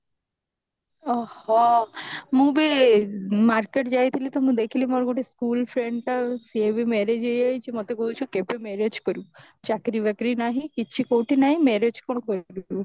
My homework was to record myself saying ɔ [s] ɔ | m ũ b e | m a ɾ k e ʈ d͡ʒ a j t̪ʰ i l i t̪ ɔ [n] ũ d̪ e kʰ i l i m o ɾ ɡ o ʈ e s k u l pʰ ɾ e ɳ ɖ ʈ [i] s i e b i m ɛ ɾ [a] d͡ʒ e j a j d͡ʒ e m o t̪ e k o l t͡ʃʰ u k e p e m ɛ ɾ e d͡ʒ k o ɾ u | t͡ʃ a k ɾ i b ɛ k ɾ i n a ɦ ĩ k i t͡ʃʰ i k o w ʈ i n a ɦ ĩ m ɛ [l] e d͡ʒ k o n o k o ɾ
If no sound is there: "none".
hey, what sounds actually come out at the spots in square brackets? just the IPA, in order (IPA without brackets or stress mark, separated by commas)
h, m, a, e, ɾ